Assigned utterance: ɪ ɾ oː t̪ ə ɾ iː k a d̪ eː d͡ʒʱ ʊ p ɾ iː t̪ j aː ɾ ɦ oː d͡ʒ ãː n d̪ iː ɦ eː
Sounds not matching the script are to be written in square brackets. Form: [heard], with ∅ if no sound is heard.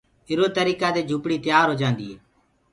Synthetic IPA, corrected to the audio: ɪ ɾ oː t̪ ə ɾ iː k a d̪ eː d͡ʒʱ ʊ p [ɽ] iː t̪ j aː ɾ ɦ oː d͡ʒ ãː n d̪ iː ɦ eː